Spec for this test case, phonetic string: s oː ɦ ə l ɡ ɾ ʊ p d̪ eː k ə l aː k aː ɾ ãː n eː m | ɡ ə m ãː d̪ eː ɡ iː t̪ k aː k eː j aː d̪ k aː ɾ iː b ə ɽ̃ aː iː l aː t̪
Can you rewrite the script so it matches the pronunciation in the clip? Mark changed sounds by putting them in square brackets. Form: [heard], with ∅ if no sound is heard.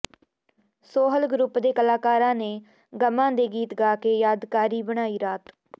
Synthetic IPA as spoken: s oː ɦ ə l ɡ ɾ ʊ p d̪ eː k ə l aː k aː ɾ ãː n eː [∅] | ɡ ə m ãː d̪ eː ɡ iː t̪ [ɡ] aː k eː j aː d̪ k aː ɾ iː b ə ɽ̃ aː iː [ɾ] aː t̪